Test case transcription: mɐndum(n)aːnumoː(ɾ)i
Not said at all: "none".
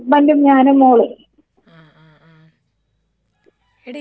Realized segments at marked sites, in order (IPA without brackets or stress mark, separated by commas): ɲ, ɭ